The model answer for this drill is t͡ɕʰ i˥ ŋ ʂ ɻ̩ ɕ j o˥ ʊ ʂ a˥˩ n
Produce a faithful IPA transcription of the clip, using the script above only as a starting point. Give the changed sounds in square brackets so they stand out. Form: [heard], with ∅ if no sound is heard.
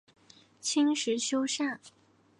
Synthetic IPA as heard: t͡ɕʰ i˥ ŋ ʂ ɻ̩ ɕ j o˥ ʊ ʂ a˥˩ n

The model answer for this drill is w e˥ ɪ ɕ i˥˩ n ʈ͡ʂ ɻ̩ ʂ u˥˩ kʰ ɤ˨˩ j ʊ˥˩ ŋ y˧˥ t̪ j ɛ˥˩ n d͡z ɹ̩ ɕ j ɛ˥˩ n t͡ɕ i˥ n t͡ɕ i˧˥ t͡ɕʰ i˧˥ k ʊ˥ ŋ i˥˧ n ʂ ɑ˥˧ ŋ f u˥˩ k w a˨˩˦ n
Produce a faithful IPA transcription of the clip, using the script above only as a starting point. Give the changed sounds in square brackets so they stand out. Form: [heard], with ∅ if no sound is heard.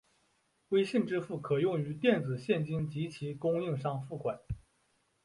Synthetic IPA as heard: w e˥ ɪ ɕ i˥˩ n ʈ͡ʂ ɻ̩ [f] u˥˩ kʰ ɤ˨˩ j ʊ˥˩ ŋ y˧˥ t̪ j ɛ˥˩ n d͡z ɹ̩ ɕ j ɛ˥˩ n t͡ɕ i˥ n t͡ɕ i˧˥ t͡ɕʰ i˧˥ k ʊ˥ ŋ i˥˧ [ŋ] ʂ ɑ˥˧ ŋ f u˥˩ k w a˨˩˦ n

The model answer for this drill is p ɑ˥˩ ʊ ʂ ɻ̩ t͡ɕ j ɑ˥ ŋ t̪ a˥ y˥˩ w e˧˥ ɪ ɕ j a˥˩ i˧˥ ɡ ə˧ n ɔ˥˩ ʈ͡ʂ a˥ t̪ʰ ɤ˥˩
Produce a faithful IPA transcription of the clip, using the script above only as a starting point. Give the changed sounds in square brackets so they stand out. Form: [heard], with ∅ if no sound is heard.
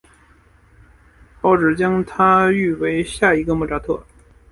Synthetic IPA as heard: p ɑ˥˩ ʊ [ʈ͡ʂ] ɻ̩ t͡ɕ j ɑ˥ ŋ [t̪ʰ] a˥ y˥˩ w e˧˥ ɪ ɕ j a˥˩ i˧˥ ɡ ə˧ [m] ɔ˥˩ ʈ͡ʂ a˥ t̪ʰ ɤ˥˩

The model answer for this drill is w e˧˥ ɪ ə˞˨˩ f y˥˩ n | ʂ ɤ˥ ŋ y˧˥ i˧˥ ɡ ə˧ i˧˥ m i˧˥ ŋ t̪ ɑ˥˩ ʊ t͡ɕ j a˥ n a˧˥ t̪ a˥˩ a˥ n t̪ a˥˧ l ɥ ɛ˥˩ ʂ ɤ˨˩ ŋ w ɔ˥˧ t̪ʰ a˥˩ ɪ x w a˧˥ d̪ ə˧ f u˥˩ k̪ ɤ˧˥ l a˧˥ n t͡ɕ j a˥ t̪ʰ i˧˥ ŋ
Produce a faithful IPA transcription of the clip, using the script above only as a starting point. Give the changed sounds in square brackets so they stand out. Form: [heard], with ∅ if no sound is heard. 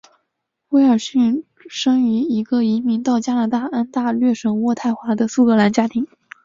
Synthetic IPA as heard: w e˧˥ ɪ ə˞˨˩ [ɕ] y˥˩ n | ʂ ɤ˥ ŋ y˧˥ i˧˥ ɡ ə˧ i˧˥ m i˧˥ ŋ t̪ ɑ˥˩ ʊ t͡ɕ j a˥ n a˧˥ t̪ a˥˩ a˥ n t̪ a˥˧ l ɥ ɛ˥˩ ʂ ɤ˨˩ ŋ w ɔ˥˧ t̪ʰ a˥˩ ɪ x w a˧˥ d̪ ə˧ [s] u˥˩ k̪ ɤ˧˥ l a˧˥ n t͡ɕ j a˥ t̪ʰ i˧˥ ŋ

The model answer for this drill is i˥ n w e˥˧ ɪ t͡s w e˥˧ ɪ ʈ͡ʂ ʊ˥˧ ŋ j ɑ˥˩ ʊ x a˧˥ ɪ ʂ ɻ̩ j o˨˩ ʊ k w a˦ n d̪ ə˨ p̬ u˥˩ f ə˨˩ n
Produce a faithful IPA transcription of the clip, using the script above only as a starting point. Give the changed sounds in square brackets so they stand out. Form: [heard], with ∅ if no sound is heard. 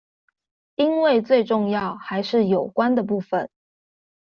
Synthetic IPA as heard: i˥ n w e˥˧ ɪ t͡s w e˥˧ ɪ ʈ͡ʂ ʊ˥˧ ŋ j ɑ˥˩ ʊ x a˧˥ ɪ ʂ ɻ̩ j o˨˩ ʊ k w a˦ n d̪ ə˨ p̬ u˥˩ f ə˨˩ n

